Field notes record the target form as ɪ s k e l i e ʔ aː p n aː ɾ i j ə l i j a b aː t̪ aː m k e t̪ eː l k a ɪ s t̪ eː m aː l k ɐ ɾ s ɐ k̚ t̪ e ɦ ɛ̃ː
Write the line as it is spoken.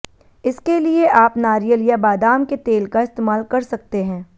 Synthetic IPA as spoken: ɪ s k e l i e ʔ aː p n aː ɾ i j ə l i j a b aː d̪ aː m k e t̪ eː l k a ɪ s t̪ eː m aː l k ɐ ɾ s ɐ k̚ t̪ e ɦ ɛ̃ː